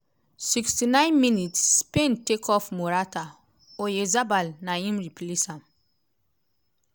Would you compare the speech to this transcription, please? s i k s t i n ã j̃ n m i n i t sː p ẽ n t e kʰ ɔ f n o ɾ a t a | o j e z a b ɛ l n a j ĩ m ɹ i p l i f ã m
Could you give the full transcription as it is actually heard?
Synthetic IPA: s i k s t i n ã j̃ n m i n i t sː p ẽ n t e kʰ ɔ f m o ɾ a t a | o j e z a b a l n a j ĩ m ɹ i p l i s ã m